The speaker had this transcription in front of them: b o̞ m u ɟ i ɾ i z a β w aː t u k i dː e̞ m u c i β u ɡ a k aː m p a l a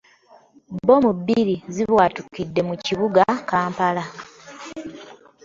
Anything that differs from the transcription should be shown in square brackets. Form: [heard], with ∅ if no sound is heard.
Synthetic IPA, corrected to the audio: b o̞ m u [b] i ɾ i z [i] β w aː t u k i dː e̞ m u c i β u ɡ a k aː m p a l a